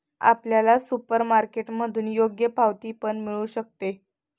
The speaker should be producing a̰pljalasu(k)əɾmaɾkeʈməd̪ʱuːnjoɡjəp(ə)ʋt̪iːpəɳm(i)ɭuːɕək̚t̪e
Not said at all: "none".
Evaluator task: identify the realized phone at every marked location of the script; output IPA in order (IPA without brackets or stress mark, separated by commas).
p, a, i